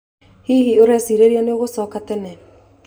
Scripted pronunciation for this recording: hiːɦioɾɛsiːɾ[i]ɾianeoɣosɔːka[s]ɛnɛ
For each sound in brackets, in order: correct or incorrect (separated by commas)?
incorrect, incorrect